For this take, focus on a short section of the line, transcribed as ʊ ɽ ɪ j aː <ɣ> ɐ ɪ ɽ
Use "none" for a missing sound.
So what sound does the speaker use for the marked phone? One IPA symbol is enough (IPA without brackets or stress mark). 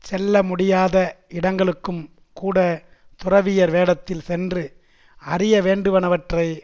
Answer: ð